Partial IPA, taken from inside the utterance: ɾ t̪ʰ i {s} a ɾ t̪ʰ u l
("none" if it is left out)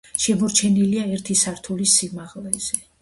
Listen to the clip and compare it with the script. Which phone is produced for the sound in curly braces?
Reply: s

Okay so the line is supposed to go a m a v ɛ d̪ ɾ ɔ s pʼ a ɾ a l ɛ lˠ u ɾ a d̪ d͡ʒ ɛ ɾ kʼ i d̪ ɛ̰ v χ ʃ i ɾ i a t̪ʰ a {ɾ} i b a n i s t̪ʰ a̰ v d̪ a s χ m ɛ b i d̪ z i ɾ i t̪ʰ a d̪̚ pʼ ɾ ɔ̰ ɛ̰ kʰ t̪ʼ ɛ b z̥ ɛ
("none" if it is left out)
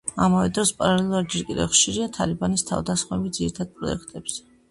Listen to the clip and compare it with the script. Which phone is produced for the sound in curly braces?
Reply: l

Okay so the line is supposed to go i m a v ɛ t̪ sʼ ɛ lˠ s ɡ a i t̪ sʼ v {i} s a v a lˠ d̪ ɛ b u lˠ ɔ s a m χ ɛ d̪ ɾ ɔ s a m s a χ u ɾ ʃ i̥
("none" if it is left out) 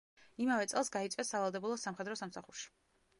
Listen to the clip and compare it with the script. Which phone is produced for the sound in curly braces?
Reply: ɛ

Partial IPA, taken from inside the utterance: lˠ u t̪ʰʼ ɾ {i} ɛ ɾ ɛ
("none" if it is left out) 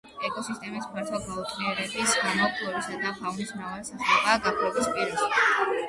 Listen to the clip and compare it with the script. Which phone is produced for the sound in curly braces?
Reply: i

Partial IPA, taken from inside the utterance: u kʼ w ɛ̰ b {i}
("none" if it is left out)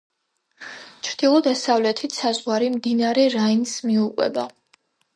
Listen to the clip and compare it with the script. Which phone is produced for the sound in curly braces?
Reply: a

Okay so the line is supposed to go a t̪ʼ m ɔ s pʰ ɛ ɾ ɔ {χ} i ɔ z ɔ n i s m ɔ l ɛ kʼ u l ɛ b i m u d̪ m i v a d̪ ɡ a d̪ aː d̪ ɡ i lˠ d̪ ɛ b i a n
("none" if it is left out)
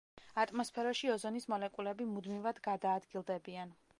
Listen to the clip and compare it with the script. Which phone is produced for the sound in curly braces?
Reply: ʃ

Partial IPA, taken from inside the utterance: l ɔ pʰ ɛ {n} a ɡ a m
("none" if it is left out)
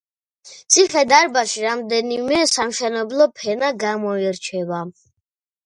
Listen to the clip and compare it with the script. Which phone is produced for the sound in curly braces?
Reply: n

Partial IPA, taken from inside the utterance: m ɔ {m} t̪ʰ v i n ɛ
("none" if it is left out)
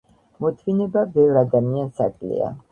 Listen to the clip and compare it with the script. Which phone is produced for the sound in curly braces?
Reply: none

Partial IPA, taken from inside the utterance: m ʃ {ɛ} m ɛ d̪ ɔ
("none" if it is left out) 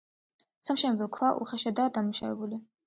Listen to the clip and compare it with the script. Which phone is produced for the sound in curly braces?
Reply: ɛ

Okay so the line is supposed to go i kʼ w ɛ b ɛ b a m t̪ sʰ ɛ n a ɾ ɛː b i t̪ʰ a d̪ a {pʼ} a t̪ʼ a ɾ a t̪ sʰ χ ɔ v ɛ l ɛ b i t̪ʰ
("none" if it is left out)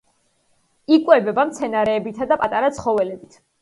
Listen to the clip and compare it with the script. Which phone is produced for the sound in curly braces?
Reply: pʼ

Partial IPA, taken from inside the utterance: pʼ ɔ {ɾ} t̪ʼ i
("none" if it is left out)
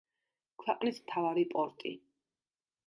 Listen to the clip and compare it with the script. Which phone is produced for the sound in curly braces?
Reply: ɾ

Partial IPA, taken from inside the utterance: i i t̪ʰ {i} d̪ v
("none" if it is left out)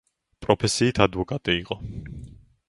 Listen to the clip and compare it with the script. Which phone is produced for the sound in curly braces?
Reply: a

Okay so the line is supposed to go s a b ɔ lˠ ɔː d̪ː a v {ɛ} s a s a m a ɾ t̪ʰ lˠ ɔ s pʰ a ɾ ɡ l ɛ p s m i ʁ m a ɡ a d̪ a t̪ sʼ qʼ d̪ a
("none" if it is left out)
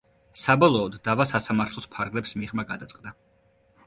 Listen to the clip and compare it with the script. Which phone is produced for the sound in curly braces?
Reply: a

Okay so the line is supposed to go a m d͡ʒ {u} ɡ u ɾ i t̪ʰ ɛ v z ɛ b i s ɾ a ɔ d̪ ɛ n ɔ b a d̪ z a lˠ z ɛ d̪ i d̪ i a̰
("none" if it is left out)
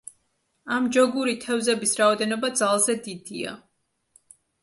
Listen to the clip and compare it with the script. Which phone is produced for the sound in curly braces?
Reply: ɔ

